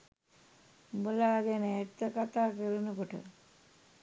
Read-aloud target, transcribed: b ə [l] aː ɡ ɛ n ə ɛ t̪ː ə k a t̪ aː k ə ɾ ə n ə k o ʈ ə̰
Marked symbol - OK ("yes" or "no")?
yes